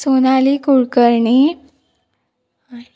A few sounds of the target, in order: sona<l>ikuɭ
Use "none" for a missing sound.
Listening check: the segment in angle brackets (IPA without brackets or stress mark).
l